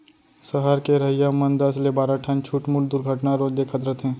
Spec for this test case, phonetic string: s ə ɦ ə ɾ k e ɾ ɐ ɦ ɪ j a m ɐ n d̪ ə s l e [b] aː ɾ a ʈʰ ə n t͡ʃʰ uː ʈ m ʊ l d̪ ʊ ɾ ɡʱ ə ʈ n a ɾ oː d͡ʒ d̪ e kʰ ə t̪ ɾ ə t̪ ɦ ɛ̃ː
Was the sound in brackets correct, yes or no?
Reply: yes